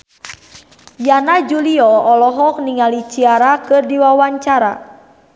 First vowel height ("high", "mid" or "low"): low